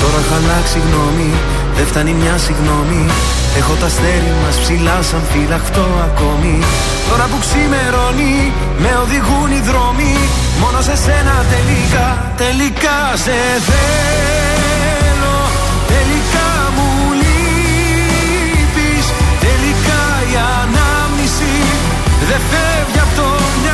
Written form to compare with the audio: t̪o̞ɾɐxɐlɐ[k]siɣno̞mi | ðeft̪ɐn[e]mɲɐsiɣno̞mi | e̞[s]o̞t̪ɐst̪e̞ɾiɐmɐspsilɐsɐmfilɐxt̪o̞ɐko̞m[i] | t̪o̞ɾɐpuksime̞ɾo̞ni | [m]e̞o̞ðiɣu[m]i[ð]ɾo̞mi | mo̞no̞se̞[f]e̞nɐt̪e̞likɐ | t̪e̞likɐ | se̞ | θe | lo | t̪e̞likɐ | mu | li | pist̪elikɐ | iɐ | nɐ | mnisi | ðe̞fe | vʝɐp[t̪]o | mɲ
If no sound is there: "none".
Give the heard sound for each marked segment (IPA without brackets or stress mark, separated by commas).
k, i, x, i, m, n, ð, s, t̪